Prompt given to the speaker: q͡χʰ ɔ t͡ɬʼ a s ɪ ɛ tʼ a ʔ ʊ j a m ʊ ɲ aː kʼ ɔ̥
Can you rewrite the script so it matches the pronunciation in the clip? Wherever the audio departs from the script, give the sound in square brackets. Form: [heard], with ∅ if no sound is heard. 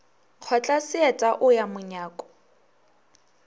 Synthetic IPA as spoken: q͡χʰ ɔ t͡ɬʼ a s ɪ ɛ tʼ a ʔ ʊ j a m ʊ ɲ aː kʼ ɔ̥